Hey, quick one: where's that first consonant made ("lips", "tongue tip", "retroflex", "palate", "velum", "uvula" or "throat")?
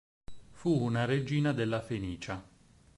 lips